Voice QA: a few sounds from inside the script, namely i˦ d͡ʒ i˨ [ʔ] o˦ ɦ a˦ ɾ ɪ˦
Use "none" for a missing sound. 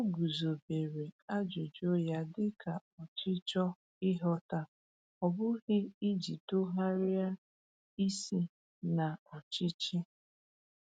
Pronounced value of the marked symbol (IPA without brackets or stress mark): t